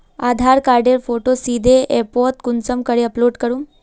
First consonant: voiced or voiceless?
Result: voiced